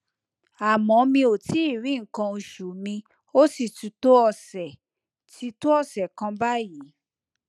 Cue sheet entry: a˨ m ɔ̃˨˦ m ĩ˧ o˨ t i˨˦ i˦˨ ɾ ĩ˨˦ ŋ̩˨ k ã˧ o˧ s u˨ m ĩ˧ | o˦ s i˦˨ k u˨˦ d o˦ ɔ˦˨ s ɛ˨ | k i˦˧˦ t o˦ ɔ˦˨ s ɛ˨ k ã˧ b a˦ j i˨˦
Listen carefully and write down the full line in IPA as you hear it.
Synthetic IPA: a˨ m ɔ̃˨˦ m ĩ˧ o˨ t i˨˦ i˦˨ ɾ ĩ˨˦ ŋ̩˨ k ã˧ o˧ ʃ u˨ m ĩ˧ | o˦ s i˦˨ t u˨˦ t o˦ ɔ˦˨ s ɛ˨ | t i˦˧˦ t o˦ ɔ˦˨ s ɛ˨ k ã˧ b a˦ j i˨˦